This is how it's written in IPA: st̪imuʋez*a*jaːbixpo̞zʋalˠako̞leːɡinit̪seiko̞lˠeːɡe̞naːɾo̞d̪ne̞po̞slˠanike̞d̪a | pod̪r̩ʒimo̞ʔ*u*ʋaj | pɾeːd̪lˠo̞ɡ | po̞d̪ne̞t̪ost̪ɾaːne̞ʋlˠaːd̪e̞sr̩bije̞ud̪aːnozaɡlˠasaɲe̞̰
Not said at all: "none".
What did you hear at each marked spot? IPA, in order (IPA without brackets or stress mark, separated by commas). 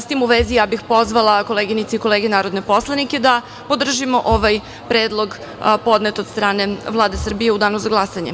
i, o